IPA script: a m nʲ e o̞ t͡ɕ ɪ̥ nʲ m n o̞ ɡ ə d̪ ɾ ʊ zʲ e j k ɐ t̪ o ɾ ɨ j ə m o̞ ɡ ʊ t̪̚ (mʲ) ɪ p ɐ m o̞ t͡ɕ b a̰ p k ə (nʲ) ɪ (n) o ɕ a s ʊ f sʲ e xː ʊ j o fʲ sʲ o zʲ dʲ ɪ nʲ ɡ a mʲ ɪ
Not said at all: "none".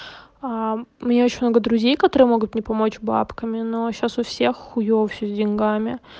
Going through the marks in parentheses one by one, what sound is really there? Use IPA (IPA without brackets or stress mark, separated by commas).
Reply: nʲ, mʲ, n